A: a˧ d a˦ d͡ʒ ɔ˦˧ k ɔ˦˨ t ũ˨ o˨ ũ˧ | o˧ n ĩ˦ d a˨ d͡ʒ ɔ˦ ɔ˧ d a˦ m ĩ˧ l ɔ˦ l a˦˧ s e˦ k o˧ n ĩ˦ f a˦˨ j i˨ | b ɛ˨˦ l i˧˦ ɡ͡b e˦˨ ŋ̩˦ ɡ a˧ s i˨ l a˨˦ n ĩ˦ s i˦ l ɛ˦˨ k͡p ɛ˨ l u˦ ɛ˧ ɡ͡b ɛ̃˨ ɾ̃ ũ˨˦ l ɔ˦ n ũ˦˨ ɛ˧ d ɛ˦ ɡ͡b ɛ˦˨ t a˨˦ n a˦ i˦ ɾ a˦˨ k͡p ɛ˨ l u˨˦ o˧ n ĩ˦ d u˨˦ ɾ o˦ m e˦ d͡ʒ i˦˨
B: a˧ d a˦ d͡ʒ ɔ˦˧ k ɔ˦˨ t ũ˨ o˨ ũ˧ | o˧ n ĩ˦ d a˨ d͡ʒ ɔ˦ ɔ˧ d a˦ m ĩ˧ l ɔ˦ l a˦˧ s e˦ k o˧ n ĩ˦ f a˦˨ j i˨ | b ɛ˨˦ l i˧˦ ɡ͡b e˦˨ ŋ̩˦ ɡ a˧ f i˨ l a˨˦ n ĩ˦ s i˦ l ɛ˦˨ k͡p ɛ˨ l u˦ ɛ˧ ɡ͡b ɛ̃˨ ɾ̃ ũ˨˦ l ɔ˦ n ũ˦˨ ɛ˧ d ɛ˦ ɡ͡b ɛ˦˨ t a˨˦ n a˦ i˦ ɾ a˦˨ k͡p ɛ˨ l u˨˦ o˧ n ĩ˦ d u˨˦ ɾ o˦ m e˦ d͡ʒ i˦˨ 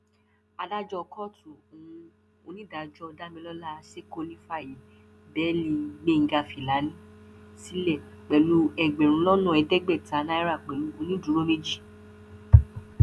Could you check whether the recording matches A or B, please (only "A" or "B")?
B